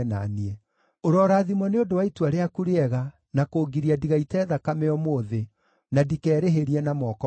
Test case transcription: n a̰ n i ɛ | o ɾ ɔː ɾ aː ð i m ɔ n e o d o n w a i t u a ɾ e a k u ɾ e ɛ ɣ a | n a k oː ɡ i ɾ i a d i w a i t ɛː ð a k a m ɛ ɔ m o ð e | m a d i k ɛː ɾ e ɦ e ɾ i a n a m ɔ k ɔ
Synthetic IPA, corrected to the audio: n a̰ n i ɛ | o ɾ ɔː ɾ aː ð i m ɔ n e o d o w a i t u a ɾ e a k u ɾ e ɛ ɣ a | n a k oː ɡ i ɾ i a d i ɣ a i t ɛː ð a k a m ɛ ɔ m o ð e | n a d i k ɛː ɾ e ɦ e ɾ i ɛ n a m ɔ k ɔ